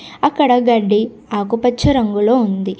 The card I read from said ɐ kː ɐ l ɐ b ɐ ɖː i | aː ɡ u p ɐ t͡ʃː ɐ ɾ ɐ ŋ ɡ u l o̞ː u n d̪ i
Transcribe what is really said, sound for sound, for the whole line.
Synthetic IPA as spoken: ɐ kː ɐ ɽ ɐ ɡ ɐ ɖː i | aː k u p ɐ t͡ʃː ɐ ɾ ɐ ŋ ɡ u l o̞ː u n d̪ i